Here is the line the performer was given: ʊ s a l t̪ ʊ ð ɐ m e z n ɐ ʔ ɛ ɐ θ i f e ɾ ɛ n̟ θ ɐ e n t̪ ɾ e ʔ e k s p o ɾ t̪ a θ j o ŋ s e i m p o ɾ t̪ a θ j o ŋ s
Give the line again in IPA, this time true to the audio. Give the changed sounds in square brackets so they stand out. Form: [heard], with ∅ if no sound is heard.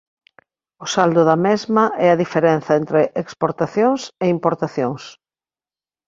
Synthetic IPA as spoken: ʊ s a l [d̪] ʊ ð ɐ m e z [m] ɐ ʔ ɛ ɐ [ð] i f e ɾ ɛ n̟ θ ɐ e n t̪ ɾ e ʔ e k s p o ɾ t̪ a θ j o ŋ s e i m p o ɾ t̪ a θ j o ŋ s